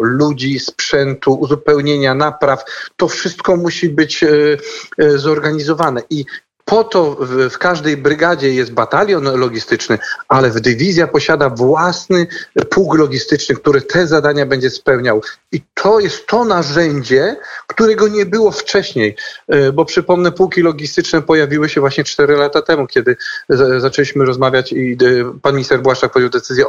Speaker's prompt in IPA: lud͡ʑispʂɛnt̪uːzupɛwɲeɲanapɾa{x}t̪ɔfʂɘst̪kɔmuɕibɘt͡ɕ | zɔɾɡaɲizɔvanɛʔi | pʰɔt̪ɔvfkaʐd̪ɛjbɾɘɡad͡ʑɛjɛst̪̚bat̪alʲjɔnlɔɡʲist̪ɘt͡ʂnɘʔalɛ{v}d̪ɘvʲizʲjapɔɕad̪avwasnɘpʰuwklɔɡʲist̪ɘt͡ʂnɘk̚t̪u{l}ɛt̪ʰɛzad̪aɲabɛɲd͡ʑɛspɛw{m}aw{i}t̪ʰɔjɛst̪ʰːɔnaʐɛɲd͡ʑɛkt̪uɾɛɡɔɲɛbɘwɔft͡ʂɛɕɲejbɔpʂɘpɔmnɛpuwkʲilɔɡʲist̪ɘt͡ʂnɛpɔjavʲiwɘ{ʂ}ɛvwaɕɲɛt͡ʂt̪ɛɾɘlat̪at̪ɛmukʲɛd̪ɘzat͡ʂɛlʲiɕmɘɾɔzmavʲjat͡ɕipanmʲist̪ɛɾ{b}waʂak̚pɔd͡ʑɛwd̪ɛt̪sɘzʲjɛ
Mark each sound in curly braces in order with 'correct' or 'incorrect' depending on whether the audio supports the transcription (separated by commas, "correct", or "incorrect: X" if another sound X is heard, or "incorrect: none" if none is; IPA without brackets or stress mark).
incorrect: f, correct, incorrect: ɾ, incorrect: ɲ, correct, incorrect: ɕ, correct